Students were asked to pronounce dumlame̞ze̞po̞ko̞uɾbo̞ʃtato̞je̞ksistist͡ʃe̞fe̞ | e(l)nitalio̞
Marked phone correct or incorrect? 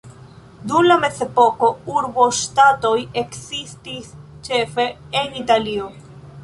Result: incorrect